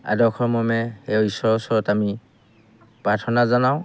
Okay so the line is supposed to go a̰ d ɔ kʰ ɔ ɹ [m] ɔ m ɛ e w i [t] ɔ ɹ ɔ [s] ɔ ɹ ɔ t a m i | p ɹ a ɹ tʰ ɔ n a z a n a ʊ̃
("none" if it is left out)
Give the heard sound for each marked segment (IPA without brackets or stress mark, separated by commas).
m, s, s